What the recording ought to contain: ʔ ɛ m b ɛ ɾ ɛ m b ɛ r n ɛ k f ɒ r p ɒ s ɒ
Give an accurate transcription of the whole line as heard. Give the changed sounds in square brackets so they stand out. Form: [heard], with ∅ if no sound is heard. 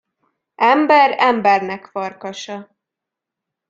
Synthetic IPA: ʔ ɛ m b ɛ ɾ ɛ m b ɛ r n ɛ k f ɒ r [k] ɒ [ʃ] ɒ